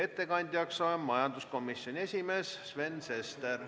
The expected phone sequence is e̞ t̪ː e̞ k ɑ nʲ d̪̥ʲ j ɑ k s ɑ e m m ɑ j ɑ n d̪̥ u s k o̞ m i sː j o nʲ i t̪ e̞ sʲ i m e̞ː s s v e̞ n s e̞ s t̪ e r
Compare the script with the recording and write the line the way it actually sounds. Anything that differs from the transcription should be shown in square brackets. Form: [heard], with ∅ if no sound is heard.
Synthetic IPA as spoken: e̞ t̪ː e̞ k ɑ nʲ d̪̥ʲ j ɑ k s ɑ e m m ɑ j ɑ n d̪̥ u s k o̞ m i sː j o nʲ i [∅] e̞ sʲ i m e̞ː s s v e̞ n s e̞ s t̪ e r